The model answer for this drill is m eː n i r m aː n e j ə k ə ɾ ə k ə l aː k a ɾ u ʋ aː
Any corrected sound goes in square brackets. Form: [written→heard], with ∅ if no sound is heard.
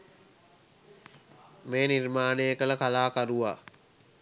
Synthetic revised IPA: m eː n i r m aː n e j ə k ə [ɾ→l] ə k [ə→a] l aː k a ɾ u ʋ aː